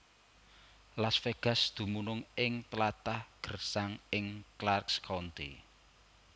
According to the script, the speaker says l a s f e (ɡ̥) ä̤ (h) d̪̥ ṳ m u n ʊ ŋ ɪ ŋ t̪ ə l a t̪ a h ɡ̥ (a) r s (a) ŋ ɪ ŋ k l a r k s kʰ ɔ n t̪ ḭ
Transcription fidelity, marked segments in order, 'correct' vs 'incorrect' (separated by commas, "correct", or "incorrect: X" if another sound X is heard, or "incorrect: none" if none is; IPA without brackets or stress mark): correct, incorrect: s, incorrect: ə, correct